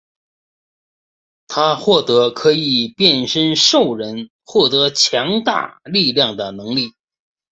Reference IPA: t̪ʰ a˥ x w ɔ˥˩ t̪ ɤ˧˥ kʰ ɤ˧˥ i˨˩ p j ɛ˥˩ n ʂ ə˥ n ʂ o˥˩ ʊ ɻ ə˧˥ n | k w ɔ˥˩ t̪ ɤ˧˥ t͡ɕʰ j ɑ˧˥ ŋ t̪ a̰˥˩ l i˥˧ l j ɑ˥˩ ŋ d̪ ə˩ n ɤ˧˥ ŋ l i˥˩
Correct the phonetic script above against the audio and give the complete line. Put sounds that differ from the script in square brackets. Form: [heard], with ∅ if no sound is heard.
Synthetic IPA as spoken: t̪ʰ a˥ x w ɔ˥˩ t̪ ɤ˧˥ kʰ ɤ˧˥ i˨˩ p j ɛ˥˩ n ʂ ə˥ n ʂ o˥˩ ʊ ɻ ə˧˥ n | [x] w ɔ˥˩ t̪ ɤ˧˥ t͡ɕʰ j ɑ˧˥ ŋ t̪ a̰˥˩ l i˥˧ l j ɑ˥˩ ŋ d̪ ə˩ n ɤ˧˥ ŋ l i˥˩